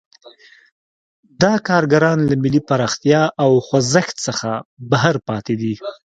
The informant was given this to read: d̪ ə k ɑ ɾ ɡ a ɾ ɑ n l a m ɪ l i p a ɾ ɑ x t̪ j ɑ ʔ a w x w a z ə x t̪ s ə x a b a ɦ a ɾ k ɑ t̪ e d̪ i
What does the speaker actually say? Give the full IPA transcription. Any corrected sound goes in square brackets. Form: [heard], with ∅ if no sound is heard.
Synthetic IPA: d̪ [ɑ] k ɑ ɾ ɡ a ɾ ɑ n l a m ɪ l i p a ɾ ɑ x t̪ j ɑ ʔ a w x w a z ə x t̪ s ə x a b a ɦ a ɾ [p] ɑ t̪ e d̪ i